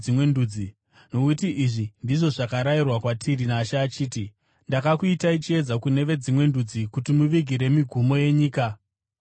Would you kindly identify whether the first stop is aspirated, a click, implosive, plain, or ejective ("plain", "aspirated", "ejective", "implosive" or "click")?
plain